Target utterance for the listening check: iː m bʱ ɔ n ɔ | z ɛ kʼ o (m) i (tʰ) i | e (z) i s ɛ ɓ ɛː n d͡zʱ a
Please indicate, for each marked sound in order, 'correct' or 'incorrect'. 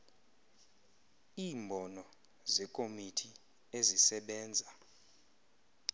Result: correct, correct, correct

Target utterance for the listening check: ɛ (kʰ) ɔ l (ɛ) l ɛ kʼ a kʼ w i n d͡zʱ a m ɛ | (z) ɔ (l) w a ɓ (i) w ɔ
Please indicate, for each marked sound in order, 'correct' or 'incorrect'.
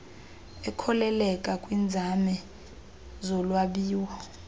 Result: correct, correct, correct, correct, incorrect: iː

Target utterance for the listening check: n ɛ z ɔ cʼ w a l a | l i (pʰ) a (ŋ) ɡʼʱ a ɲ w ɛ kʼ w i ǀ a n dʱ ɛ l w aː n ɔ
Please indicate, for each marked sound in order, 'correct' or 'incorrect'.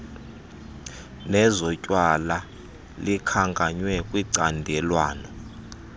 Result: incorrect: kʰ, correct

